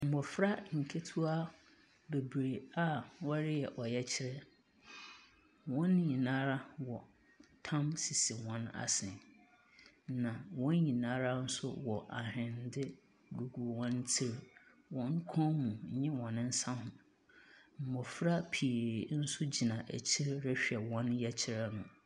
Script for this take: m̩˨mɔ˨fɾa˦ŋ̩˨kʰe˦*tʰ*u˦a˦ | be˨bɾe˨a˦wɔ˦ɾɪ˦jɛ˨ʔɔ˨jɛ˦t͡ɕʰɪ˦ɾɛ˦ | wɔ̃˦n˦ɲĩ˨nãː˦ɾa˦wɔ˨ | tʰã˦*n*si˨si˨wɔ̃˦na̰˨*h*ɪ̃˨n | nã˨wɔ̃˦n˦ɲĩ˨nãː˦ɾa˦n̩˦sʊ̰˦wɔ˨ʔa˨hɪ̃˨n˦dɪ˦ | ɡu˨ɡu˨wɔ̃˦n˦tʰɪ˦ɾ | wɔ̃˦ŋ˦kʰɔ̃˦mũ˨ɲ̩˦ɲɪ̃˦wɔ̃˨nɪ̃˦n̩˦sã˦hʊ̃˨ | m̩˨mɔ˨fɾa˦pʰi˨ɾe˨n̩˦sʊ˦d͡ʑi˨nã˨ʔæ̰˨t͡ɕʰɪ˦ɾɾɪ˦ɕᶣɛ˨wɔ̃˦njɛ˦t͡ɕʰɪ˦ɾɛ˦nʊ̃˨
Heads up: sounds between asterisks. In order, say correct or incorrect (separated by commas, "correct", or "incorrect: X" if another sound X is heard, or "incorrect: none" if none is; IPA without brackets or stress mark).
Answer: correct, incorrect: m, incorrect: s